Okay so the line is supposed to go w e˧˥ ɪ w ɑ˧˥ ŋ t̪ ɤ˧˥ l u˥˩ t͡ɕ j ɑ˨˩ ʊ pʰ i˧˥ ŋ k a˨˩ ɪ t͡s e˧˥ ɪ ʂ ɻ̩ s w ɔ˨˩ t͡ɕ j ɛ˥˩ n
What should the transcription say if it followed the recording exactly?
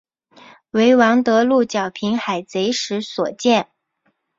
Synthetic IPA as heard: w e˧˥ ɪ w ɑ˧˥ ŋ t̪ ɤ˧˥ l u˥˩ t͡ɕ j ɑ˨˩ ʊ pʰ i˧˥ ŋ x a˨˩ ɪ t͡s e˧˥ ɪ ʂ ɻ̩ s w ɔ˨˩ t͡ɕ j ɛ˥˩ n